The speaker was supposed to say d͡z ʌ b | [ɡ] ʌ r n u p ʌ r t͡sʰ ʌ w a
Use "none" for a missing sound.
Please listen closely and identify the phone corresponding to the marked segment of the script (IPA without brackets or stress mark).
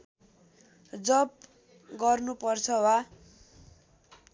ɡ